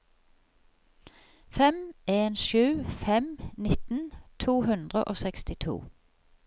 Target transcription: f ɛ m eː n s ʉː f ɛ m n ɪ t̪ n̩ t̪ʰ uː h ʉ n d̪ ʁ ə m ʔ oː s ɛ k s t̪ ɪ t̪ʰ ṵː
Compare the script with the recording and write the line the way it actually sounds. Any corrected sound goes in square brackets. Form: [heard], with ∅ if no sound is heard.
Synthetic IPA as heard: f ɛ m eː n [ʃ] ʉː f ɛ m n ɪ t̪ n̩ t̪ʰ uː h ʉ n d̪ ʁ ə [∅] ʔ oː s ɛ k s t̪ ɪ t̪ʰ ṵː